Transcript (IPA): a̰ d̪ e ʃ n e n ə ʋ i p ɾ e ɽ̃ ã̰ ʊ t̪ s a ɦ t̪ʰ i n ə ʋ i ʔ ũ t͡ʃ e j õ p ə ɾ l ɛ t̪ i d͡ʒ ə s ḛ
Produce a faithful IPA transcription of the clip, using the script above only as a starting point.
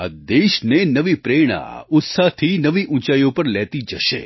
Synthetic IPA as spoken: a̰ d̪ e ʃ n e n ə ʋ i p ɾ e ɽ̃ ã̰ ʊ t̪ s a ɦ t̪ʰ i n ə ʋ i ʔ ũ t͡ʃ a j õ p ə ɾ l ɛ t̪ i d͡ʒ ə ʃ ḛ

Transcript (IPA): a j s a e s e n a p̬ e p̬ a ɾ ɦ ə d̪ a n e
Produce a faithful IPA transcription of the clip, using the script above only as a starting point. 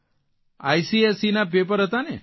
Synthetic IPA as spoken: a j s i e s i n a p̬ e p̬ ə ɾ ɦ ə t̪ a n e

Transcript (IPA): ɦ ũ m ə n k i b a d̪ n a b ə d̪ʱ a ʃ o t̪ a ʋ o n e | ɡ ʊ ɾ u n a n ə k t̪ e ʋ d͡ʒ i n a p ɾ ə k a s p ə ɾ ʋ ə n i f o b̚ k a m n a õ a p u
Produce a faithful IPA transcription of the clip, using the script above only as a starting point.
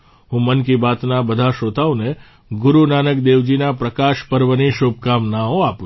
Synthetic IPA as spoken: ɦ ũ m ə n k i b a t̪ n a b ə d̪ʱ a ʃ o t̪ a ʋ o n e | ɡ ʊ ɾ u n a n ə k d̪ e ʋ d͡ʒ i n a p ɾ ə k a ʃ p ə ɾ ʋ ə n i ʃ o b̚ k a m n a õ a p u

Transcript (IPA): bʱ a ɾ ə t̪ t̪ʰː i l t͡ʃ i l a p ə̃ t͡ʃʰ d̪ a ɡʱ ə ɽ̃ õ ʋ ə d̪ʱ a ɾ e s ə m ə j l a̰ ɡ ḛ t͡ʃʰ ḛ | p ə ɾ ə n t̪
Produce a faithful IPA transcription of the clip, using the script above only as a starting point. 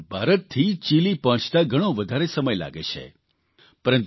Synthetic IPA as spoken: bʱ a ɾ ə t̪ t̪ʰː i t͡ʃ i l i p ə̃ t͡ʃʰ t̪ a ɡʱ ə ɽ̃ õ ʋ ə d̪ʱ a ɾ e s ə m ə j l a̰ ɡ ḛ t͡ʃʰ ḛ | p ə ɾ ə n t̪

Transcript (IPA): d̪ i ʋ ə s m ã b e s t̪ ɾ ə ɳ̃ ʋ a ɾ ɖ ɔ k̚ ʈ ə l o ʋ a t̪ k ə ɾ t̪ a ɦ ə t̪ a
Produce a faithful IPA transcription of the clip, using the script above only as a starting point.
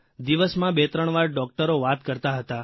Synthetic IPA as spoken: d̪ i ʋ ə s m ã b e t̪ ɾ ə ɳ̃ ʋ a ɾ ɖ ɔ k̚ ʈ ə ɾ o ʋ a t̪ k ə ɾ t̪ a ɦ ə t̪ a

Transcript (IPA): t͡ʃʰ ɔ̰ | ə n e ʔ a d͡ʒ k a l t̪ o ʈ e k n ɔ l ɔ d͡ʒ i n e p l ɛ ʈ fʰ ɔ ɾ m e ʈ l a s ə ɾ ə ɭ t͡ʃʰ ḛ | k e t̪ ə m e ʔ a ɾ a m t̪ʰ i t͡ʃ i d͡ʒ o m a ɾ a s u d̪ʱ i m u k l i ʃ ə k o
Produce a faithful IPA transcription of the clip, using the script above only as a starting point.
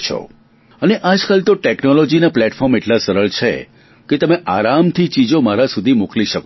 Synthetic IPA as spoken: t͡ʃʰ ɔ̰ | ə n e ʔ a d͡ʒ k a l t̪ o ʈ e k n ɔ l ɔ d͡ʒ i n a p l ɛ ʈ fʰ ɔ ɾ m e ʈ l a s ə ɾ ə ɭ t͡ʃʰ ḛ | k e t̪ ə m e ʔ a ɾ a m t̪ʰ i t͡ʃ i d͡ʒ o m a ɾ a s u d̪ʱ i m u k l i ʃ ə k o

